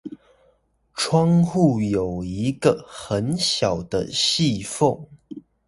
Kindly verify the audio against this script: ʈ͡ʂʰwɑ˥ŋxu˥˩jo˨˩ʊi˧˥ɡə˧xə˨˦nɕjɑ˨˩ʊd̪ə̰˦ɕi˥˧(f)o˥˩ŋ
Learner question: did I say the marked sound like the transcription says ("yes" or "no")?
yes